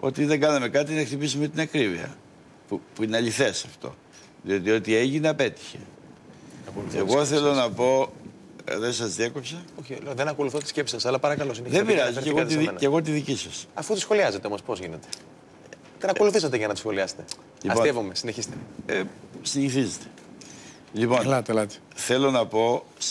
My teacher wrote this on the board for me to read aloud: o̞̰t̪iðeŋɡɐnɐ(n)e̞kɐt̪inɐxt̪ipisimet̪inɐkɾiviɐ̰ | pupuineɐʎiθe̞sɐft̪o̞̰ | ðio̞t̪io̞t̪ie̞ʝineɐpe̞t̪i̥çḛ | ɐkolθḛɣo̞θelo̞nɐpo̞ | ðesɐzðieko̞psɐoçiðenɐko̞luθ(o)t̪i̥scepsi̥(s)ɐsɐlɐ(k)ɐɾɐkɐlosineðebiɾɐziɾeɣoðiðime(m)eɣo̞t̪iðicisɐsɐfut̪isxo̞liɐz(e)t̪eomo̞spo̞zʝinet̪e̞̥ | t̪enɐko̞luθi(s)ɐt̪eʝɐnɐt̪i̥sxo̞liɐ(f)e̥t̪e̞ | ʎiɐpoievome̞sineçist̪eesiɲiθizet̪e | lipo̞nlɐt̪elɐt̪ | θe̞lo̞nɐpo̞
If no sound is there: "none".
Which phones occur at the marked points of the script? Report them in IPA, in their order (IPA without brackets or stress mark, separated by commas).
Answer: m, o, s, p, n, e, s, s